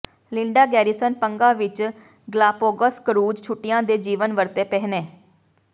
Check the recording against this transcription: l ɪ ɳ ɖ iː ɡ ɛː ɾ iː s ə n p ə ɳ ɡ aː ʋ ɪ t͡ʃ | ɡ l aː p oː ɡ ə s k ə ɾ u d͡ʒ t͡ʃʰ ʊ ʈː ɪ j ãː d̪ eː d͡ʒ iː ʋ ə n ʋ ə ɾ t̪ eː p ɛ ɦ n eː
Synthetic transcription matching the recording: l ɪ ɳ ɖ aː ɡ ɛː ɾ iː s ə n p ə ŋ ɡ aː ʋ ɪ t͡ʃ | ɡ l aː p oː ɡ ə s k ə ɾ uː d͡ʒ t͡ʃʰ ʊ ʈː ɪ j ãː d̪ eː d͡ʒ iː ʋ ə n ʋ ə ɾ t̪ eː p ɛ ɦ n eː